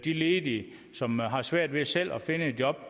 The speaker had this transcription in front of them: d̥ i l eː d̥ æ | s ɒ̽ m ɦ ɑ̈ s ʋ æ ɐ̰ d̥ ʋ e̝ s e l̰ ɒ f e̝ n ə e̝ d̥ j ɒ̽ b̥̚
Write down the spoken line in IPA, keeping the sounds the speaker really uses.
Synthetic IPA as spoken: d̥ i l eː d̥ i | s ɒ̽ m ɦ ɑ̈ s ʋ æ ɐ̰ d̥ ʋ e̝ s e l̰ ɒ f e̝ n ə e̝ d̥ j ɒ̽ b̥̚